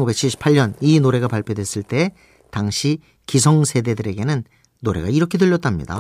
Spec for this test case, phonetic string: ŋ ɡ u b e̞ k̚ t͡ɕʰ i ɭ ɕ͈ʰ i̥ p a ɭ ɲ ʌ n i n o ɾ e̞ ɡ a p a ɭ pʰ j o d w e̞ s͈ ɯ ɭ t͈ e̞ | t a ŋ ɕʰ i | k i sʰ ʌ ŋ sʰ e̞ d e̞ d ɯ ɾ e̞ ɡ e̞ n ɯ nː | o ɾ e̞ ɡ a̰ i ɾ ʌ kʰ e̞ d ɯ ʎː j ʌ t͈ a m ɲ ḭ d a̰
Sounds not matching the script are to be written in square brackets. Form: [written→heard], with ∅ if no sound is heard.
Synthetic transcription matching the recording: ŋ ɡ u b e̞ k̚ t͡ɕʰ i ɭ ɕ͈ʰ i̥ [p→pʰ] a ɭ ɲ ʌ n i n o ɾ e̞ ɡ a p a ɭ pʰ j o d w e̞ s͈ ɯ ɭ t͈ e̞ | t a ŋ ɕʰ i | k i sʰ ʌ ŋ sʰ e̞ d e̞ d ɯ ɾ e̞ ɡ e̞ n ɯ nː | o ɾ e̞ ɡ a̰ i ɾ ʌ kʰ e̞ d ɯ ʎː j ʌ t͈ a m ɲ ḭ d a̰